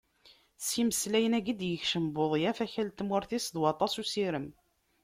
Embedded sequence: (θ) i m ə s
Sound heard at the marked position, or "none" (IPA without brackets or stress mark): s